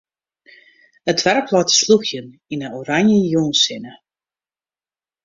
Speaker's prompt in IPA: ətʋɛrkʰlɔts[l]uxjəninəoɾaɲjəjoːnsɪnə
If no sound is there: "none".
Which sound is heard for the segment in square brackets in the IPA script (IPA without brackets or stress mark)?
l